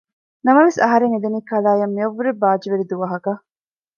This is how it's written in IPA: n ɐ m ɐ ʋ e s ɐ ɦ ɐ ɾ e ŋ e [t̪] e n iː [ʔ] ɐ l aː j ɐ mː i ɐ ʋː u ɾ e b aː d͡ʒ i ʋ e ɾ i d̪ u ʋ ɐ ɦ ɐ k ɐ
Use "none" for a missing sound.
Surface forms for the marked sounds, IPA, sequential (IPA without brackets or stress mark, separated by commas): d̪, k